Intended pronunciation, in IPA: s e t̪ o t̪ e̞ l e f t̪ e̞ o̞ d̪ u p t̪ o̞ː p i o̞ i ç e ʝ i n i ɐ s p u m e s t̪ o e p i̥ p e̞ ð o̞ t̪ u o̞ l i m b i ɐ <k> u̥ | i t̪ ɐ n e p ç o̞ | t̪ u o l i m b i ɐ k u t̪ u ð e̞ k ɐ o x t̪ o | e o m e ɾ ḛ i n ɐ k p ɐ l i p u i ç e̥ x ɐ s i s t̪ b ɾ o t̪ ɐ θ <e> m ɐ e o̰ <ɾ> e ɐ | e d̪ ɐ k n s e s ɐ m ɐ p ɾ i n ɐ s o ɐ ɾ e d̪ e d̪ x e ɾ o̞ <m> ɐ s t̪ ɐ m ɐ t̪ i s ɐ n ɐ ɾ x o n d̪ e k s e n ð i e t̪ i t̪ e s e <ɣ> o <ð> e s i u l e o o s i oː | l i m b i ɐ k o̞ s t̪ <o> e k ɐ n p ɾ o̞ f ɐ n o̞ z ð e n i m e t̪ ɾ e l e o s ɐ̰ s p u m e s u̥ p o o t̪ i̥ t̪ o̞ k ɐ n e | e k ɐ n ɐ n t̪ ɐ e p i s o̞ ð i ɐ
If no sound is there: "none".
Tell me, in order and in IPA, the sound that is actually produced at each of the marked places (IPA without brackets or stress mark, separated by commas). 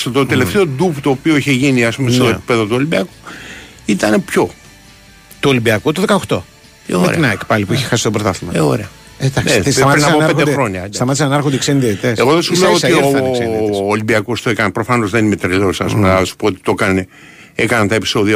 k, i, ɾ, ɲ, ɣ, ð, o